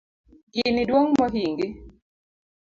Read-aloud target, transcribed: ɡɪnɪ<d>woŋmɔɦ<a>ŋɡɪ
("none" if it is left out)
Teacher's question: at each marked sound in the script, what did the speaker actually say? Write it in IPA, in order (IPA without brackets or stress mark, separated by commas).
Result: d, i